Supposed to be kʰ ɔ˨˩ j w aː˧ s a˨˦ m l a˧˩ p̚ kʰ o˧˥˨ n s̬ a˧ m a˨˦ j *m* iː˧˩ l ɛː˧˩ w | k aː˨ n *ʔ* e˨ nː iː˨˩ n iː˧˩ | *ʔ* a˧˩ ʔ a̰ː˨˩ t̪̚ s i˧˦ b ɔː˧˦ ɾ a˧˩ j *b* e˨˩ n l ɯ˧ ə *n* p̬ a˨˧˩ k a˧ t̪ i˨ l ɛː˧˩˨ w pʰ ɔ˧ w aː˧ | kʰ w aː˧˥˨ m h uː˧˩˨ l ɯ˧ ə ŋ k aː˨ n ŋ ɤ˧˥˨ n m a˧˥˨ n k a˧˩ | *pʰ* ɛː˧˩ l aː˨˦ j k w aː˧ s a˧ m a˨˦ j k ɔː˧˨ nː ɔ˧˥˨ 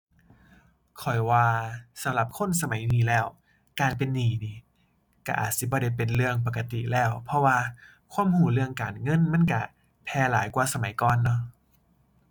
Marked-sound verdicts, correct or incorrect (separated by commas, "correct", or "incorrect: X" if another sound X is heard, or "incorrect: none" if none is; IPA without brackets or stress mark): incorrect: n, incorrect: p, incorrect: k, incorrect: p, incorrect: ŋ, correct